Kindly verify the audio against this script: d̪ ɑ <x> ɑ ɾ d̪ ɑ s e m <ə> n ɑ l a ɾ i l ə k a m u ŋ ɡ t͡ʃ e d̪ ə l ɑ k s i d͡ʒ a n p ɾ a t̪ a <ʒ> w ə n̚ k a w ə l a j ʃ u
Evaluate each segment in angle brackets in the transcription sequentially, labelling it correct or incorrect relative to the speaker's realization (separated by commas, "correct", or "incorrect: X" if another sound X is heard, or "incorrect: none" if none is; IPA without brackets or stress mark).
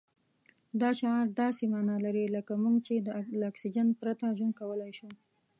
incorrect: ʃ, incorrect: ɑ, correct